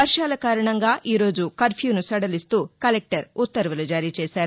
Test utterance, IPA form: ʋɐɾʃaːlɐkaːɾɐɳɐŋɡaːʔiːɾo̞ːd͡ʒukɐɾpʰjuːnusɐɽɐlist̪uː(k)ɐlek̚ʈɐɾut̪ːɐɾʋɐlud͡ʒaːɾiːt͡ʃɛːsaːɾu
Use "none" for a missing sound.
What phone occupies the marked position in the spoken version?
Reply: k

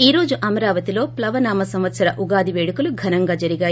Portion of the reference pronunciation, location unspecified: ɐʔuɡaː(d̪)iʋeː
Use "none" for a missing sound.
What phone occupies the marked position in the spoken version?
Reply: d̪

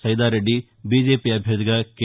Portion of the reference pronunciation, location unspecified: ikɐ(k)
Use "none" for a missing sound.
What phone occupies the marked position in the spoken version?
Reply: k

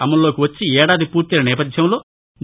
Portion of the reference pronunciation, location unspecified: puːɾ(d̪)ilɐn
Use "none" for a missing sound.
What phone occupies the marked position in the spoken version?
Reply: t̪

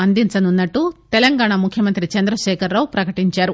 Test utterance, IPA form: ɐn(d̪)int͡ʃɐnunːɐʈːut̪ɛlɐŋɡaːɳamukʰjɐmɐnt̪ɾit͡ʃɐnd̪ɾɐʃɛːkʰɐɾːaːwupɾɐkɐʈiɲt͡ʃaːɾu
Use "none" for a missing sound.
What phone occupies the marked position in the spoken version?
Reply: d̪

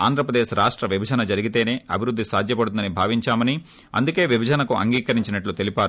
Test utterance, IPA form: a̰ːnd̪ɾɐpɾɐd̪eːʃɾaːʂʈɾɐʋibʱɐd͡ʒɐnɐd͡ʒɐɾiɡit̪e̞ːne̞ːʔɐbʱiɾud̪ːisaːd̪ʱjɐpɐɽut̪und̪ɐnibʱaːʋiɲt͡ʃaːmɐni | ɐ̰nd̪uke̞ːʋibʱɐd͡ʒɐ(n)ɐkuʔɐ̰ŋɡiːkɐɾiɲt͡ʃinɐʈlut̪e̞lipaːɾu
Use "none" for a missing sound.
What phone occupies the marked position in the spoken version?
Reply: n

